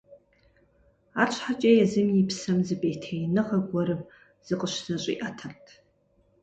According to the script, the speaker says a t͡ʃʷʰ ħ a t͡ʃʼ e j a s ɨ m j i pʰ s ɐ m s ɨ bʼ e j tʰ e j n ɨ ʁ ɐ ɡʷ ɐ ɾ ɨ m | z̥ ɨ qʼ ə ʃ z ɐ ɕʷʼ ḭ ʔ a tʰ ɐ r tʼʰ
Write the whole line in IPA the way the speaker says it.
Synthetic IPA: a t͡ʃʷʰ ħ a t͡ʃʼ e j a z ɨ m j i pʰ s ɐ m z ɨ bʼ e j tʰ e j n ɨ ʁ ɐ ɡʷ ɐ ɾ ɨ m | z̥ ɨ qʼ ə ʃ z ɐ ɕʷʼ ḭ ʔ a tʰ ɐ r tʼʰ